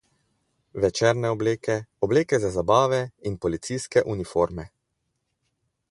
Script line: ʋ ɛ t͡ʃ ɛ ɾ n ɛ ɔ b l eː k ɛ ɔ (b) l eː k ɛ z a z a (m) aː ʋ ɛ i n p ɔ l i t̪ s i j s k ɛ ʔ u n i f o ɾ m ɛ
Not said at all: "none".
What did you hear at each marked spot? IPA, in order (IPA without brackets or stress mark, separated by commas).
b, b